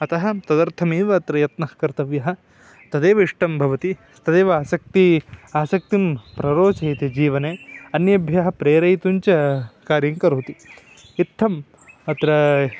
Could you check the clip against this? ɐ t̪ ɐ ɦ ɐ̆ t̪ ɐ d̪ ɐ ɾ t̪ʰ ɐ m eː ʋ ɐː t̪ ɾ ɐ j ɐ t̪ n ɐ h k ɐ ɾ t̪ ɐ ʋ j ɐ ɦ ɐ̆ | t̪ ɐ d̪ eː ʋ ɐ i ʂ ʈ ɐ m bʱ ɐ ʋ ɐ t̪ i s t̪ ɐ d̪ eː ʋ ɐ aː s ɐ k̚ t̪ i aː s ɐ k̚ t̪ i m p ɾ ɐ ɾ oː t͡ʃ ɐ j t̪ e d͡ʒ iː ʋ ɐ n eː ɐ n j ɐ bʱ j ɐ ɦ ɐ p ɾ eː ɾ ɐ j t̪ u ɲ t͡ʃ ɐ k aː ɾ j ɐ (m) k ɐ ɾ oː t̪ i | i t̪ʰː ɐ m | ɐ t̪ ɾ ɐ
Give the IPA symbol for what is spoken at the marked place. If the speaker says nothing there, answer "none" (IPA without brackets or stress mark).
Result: ŋ